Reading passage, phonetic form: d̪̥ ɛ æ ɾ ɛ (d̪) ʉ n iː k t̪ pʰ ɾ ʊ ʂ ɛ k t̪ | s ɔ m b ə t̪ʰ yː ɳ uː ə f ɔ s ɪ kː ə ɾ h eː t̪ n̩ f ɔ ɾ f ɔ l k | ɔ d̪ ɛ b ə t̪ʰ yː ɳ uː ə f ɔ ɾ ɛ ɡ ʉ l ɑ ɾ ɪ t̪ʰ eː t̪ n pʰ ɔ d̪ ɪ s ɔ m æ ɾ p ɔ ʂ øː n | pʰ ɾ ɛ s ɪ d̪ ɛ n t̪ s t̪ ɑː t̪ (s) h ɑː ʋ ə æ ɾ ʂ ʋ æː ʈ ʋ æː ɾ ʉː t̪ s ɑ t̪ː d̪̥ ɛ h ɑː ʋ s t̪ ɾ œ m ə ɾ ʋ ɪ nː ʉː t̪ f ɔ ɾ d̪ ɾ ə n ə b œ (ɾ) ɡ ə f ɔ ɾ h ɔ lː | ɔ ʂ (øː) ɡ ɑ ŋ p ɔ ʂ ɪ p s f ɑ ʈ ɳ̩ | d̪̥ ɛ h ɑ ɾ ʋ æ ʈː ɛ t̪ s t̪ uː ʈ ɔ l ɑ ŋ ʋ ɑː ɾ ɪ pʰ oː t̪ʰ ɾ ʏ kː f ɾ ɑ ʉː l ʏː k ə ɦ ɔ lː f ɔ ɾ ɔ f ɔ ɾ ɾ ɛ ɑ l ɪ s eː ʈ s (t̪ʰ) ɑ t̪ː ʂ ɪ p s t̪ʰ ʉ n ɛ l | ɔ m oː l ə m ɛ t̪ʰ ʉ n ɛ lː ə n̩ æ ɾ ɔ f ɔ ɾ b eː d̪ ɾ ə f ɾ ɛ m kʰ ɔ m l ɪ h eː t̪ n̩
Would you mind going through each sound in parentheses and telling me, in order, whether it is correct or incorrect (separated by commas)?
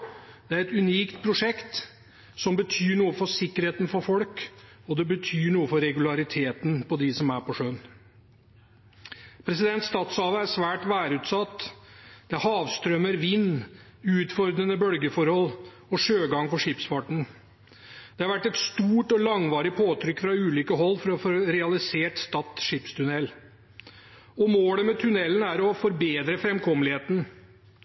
incorrect, correct, incorrect, correct, incorrect